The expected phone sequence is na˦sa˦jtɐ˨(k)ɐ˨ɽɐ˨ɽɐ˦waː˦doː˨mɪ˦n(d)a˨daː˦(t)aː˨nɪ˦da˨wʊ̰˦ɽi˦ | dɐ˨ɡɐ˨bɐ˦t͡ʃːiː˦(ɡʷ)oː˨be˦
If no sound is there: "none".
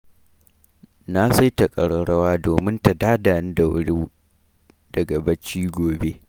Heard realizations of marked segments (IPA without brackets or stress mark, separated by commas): kʼ, t, d, ɡʷ